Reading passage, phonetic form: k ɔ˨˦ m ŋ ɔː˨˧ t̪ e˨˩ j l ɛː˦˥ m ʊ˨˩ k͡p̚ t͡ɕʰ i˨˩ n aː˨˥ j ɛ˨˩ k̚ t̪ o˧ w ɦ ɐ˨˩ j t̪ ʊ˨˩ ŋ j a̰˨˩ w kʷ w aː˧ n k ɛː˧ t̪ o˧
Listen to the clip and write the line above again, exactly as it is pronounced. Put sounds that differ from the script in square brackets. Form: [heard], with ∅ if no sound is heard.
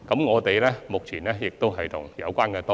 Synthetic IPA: k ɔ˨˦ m ŋ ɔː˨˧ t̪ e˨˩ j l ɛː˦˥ m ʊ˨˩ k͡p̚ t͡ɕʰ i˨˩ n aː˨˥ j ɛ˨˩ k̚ t̪ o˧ w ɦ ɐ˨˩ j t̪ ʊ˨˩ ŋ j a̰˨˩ w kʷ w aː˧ n k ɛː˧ t̪ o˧